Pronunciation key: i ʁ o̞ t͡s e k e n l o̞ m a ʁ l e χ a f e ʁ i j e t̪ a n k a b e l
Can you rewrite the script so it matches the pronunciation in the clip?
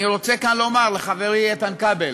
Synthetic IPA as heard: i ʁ o̞ t͡s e k a n l o̞ m a ʁ l e χ a v e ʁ i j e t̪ a n k a b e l